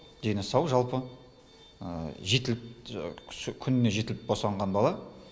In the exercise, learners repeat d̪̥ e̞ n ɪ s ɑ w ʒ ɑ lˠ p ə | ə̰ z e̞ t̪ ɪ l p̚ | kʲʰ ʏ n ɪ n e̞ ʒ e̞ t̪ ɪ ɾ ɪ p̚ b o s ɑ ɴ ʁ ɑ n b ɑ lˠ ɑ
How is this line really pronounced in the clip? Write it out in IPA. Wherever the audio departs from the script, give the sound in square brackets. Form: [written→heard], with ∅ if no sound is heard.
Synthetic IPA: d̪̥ e̞ n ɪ s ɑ w ʒ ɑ lˠ p ə | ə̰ [z→ʒ] e̞ t̪ ɪ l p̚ | kʲʰ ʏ n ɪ n e̞ ʒ e̞ t̪ ɪ [ɾ→l] ɪ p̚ b o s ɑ ɴ ʁ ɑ n b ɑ lˠ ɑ